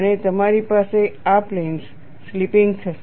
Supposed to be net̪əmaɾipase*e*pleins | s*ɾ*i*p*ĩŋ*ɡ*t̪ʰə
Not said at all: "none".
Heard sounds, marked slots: a, l, p, ɡ

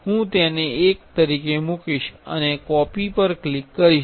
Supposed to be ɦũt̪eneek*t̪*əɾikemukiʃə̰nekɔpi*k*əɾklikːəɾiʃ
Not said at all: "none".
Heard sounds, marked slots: t̪, p

